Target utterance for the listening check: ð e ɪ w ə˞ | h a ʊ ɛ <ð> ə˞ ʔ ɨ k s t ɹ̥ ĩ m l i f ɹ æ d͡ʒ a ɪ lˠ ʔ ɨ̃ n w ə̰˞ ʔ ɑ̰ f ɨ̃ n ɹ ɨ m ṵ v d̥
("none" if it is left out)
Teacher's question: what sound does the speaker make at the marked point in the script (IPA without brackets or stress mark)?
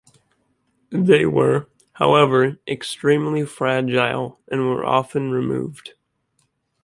v